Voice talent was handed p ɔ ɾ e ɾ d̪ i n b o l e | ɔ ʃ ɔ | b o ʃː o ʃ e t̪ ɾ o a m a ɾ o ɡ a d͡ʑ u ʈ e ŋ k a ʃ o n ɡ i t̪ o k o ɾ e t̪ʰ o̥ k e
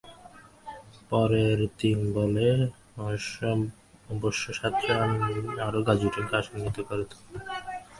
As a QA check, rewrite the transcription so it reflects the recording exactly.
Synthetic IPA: p ɔ ɾ e ɾ t̪ i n b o l e | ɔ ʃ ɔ | b o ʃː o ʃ a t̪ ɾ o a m a ɾ o ɡ a d͡ʑ u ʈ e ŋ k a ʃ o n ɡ i t̪ o k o ɾ e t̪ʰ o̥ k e